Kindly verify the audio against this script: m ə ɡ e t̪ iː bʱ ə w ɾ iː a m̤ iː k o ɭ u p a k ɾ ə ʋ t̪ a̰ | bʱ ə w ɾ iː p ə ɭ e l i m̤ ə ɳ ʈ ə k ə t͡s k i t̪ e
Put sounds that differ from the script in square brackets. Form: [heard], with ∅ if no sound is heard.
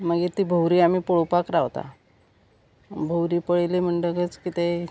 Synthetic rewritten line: m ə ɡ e t̪ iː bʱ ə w ɾ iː a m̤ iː [p] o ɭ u p a k ɾ [a] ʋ t̪ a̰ | bʱ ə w ɾ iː p ə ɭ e l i m̤ ə ɳ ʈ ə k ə t͡s k i t̪ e

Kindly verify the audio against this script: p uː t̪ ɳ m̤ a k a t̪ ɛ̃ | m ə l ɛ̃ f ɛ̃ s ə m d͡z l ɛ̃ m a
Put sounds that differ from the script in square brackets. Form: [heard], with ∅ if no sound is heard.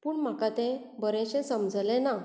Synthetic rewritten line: p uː [∅] ɳ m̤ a k a t̪ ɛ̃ | [b] ə [ɾ] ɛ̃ [ɕ] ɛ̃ s ə m d͡z l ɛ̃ [n] a

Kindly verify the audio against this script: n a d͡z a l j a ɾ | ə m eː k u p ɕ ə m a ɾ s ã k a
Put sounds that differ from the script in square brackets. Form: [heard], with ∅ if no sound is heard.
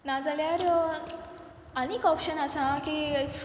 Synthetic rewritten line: n a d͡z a l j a ɾ | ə [n] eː k [ɔ] p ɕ ə [n] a [∅] s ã k [i]

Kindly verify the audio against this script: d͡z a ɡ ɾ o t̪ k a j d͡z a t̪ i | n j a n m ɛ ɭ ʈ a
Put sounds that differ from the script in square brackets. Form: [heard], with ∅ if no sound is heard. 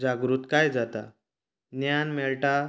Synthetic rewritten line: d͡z a ɡ ɾ [u] t̪ k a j d͡z a t̪ [a] | n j a n m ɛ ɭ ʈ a

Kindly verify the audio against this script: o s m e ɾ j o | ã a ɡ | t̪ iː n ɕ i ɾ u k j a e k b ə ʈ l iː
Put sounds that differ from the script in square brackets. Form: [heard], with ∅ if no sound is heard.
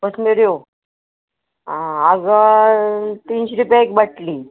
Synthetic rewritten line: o s m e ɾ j o | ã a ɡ | t̪ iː n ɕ i ɾ u [p] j a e k b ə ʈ l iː

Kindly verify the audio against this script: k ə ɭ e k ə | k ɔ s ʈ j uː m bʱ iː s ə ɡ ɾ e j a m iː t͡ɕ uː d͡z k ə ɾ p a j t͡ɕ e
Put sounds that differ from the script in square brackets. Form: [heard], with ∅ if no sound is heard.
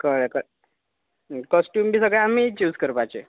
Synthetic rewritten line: k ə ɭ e k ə | k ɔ s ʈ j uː m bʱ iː s ə ɡ [ɭ] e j a m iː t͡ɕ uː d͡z k ə ɾ p a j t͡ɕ e

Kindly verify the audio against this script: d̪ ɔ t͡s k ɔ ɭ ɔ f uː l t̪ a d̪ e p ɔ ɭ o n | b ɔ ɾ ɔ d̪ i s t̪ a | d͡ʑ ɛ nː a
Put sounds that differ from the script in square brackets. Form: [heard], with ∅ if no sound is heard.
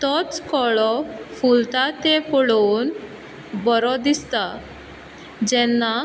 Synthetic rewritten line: [t̪] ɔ t͡s k ɔ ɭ ɔ f [u] l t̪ a [t̪] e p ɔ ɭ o n | b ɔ ɾ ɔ d̪ i s t̪ a | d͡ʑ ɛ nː a

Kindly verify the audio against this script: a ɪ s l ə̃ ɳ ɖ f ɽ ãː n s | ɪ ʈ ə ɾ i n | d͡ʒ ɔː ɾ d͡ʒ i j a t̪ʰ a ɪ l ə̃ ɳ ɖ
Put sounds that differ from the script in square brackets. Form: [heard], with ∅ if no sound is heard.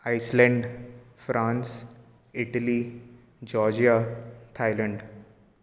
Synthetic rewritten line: a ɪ s l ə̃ ɳ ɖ f [ɾ] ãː n s | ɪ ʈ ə [l] i [∅] | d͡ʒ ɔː ɾ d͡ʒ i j a t̪ʰ a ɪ l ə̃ ɳ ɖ

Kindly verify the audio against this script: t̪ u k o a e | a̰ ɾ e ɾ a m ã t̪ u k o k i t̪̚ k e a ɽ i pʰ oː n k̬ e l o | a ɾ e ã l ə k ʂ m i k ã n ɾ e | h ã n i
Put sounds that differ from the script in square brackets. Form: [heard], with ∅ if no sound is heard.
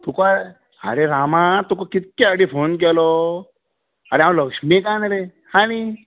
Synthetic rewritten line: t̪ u k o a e | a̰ ɾ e ɾ a m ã t̪ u k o k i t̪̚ k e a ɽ i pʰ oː n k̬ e l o | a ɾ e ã l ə k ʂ m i k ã n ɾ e | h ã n i

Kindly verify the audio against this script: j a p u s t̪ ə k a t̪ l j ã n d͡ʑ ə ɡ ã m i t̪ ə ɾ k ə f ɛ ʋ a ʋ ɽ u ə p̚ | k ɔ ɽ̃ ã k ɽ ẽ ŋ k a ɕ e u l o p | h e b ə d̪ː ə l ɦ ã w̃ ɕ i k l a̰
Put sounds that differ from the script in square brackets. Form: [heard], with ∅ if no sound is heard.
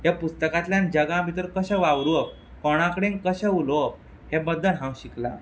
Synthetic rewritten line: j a p u s t̪ ə k a t̪ l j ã n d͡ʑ ə ɡ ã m i t̪ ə ɾ k ə [ɕ] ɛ ʋ a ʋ [ɾ] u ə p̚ | k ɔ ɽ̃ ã k ɽ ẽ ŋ k [ə] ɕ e u l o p | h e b ə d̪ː ə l ɦ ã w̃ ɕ i k l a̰

